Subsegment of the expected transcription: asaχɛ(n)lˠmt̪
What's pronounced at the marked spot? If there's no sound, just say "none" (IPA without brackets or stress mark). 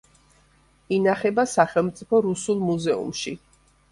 none